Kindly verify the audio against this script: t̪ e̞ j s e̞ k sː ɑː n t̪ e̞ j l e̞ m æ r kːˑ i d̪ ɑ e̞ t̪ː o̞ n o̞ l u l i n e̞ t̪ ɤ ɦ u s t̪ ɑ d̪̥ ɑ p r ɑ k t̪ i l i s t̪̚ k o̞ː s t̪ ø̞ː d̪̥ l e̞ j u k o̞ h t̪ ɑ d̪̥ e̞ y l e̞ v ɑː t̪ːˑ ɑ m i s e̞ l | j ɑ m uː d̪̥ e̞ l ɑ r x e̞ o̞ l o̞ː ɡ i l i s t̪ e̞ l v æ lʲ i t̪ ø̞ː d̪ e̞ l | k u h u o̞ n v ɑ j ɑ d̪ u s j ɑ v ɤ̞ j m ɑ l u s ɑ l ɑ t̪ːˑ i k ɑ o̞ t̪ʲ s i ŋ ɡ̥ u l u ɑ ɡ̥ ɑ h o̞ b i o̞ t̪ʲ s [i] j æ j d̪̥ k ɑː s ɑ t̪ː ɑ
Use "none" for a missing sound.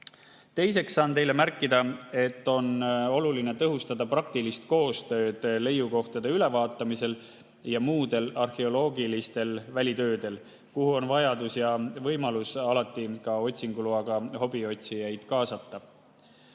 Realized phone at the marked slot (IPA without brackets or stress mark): i